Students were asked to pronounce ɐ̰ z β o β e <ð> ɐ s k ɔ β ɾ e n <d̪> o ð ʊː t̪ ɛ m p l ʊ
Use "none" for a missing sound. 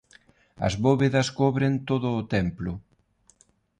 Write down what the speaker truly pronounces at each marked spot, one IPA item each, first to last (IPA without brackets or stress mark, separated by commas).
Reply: ð, t̪